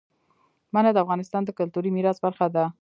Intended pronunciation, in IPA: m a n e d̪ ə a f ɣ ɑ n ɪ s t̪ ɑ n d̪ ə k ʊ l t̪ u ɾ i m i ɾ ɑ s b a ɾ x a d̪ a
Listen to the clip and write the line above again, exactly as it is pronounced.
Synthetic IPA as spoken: m a n a d̪ ə a f ɣ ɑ n ɪ s t̪ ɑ n d̪ ə k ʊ l t̪ u ɾ i m i ɾ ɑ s b a ɾ x a d̪ a

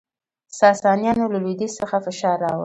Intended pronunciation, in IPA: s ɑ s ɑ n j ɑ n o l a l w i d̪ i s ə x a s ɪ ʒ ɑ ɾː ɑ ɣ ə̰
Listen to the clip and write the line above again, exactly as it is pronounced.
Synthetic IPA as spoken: s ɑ s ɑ n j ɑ n o l a l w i d̪ i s ə x a f ɪ ʃ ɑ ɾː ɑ w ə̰

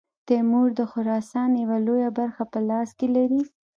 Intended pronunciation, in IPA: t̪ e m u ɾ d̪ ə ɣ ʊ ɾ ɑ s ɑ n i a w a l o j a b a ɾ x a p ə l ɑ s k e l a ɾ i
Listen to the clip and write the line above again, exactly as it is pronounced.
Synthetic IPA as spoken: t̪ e m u ɾ d̪ ə x ʊ ɾ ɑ s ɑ n j a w a l o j a b a ɾ x a p ə l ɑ s k e l a ɾ i

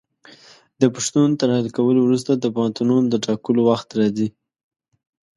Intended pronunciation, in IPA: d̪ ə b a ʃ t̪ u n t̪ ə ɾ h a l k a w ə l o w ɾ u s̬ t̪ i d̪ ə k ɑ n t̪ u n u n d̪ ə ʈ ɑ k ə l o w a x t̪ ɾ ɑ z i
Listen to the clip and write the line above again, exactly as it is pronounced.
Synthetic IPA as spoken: d̪ ə p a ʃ t̪ u n t̪ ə ɾ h a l k a w ə l o w ɾ u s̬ t̪ a d̪ ə p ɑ n t̪ u n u n d̪ ə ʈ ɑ k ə l o w a x t̪ ɾ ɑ z i

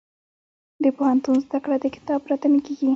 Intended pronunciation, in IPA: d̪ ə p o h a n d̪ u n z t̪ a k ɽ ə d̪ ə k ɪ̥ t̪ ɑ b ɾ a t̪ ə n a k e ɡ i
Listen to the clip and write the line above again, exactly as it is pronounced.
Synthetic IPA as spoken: d̪ ə p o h a n t̪ u n z d̪ a k ɽ a d̪ ə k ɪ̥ t̪ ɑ b ɾ a t̪ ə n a k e ɡ i

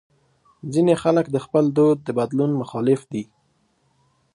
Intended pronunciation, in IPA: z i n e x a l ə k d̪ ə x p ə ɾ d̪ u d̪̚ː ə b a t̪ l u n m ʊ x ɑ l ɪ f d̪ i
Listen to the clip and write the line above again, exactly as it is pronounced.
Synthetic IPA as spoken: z i n e x a l ə k d̪ ə x p ə l d̪ o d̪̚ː ə b a d̪ l u n m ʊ x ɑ l ɪ f d̪ i

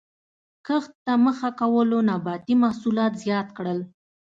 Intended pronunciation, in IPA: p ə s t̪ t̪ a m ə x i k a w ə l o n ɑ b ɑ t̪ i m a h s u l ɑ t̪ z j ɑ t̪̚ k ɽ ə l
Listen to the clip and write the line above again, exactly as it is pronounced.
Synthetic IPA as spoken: k ə x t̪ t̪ a m ə x a k a w ə l o n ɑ b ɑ t̪ i m a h s u l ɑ t̪ z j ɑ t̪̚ k ɽ ə l

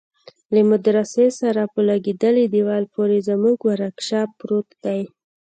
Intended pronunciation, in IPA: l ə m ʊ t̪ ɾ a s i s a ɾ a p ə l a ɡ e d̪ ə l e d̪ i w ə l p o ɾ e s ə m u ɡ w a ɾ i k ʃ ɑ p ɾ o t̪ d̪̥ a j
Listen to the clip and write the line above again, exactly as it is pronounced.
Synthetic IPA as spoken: l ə m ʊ d̪ ɾ a s e s a ɾ a p ə l a ɡ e d̪ ə l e d̪ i w ɑ l p o ɾ e z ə m u ɡ w a ɾ a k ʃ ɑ p ɾ o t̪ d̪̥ a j

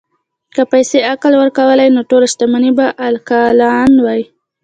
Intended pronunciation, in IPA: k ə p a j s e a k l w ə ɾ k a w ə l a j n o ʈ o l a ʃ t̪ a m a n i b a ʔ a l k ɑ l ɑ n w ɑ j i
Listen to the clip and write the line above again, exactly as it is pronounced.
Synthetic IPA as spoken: k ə p a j s e a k l w ə ɾ k a w ə l a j n o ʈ o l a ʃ t̪ a m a n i b a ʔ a l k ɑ l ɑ n w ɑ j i

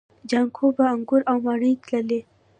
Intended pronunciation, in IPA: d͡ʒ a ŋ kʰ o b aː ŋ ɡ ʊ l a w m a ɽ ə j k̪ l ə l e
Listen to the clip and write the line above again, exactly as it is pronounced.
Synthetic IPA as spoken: d͡ʒ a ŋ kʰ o b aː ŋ ɡ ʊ ɾ a w m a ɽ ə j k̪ l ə l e

